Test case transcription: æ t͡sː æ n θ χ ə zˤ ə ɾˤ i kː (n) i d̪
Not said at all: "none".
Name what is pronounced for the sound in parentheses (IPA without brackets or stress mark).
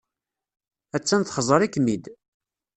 m